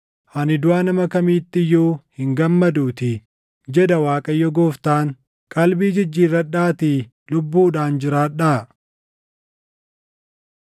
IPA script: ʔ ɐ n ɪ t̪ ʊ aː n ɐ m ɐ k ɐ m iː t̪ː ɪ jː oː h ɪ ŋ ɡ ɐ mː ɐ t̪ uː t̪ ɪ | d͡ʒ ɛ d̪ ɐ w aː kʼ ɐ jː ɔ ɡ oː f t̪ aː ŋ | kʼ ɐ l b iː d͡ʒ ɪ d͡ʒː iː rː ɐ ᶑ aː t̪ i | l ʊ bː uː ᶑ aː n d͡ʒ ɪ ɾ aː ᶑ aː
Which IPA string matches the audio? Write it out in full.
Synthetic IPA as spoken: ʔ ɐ n ɪ d̪ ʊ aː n ɐ m ɐ k ɐ m iː t̪ː ɪ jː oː h ɪ ŋ ɡ ɐ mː ɐ d̪ uː t̪ ɪ | d͡ʒ ɛ d̪ ɐ w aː kʼ ɐ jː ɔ ɡ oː f t̪ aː ŋ | kʼ ɐ l b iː d͡ʒ ɪ d͡ʒː iː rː ɐ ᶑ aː t̪ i | l ʊ bː uː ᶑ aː n d͡ʒ ɪ ɾ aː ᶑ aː